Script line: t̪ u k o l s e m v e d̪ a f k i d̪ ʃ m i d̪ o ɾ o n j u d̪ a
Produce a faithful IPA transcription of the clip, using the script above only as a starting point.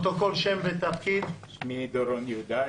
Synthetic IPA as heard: t̪ o k o l ʃ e m v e t̪ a f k i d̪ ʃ m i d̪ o ɾ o n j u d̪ a